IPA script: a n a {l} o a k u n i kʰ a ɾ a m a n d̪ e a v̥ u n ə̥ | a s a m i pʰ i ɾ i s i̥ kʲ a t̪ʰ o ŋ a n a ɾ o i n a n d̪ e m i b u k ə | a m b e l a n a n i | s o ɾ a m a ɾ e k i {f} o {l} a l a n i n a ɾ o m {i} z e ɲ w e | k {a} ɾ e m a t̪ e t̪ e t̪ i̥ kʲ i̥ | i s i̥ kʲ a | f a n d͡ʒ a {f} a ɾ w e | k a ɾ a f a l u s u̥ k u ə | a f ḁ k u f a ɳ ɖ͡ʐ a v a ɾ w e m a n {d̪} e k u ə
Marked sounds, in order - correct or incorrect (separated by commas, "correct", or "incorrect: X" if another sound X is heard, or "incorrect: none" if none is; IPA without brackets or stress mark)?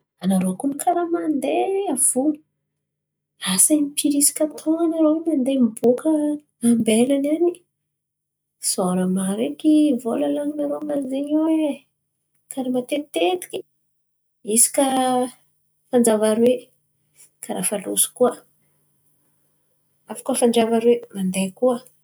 incorrect: ɾ, incorrect: v, correct, incorrect: a, correct, incorrect: v, correct